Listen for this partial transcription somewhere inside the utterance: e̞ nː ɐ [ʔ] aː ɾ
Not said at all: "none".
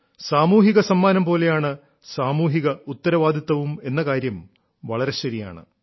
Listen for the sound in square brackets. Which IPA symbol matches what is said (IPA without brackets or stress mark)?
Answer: k